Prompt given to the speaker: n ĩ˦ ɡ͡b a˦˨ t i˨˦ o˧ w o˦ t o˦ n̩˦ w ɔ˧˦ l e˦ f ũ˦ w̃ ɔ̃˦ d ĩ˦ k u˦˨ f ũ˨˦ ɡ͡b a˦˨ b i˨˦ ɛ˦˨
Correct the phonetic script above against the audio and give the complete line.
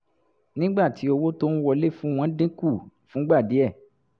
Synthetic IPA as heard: n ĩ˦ ɡ͡b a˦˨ t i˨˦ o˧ w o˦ t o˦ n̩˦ w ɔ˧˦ l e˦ f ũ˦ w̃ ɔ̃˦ d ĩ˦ k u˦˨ f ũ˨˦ ɡ͡b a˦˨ d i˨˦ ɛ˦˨